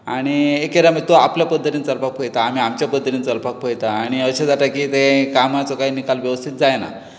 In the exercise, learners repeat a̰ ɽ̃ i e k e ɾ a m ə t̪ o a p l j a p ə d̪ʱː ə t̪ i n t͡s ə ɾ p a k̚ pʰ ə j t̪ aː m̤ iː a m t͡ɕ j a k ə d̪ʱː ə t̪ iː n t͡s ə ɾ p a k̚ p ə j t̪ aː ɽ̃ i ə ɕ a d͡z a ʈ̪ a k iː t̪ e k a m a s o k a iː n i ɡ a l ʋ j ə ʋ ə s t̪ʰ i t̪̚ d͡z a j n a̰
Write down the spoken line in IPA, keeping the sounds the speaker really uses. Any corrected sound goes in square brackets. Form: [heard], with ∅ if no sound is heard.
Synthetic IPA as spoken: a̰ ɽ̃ i e k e ɾ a m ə t̪ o a p l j a p ə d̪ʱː ə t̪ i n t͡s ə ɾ p a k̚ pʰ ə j t̪ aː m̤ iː a m t͡ɕ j a [p] ə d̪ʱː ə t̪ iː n t͡s ə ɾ p a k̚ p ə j t̪ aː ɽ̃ i ə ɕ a d͡z a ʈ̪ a k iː t̪ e k a m a [t͡s] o k a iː n i [k] a l ʋ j ə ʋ ə s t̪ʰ i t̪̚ d͡z a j n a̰